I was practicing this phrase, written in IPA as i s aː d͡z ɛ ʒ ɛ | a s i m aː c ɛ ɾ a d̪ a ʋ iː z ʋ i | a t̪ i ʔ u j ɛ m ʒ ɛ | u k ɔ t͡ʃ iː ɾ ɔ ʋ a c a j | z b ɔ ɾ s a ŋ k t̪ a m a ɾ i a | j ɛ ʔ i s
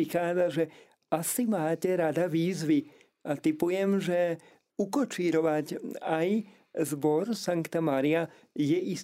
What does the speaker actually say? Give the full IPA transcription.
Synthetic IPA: i x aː d͡z a ʒ ɛ | a s i m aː c ɛ ɾ a d̪ a ʋ iː z ʋ i | a t̪ i p u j ɛ m ʒ ɛ | u k ɔ t͡ʃ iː ɾ ɔ ʋ a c a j | z b ɔ ɾ s a ŋ k t̪ a m a ɾ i a | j ɛ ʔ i s